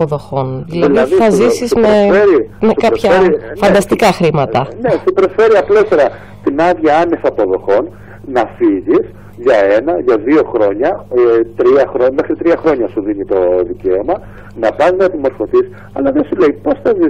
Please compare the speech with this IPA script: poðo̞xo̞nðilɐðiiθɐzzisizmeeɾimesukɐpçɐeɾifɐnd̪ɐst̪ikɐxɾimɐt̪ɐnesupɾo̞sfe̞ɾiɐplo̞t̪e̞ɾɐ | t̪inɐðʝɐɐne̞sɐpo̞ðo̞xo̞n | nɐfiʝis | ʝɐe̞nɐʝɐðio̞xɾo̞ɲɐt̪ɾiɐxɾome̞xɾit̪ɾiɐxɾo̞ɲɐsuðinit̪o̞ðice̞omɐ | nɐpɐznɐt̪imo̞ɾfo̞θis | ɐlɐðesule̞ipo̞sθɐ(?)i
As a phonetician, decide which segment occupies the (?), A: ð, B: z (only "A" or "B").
B